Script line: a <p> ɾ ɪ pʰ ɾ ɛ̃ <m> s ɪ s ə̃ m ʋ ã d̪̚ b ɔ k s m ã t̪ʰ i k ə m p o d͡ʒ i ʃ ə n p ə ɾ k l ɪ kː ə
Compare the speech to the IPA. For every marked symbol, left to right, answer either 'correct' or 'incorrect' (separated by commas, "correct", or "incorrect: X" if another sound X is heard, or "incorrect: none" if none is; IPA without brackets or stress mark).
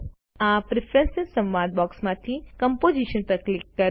correct, incorrect: n